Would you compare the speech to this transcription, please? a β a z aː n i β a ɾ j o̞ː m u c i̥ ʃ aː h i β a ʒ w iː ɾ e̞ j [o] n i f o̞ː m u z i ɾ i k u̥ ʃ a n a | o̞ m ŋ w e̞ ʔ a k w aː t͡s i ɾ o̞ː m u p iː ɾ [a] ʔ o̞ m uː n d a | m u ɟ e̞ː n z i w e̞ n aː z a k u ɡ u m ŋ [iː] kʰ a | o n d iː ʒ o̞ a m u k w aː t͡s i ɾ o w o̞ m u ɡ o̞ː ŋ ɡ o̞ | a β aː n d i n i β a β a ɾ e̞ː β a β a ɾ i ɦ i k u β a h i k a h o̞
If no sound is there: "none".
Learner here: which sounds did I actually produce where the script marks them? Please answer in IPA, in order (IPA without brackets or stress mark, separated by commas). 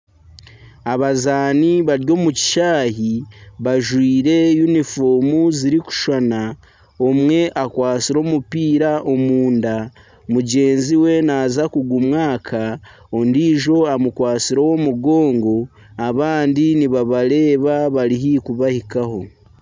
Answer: u, a, aː